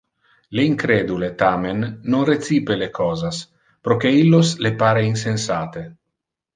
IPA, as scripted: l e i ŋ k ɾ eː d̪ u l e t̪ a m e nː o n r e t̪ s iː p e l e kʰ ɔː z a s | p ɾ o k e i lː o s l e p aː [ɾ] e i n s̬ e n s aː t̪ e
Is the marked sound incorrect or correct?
correct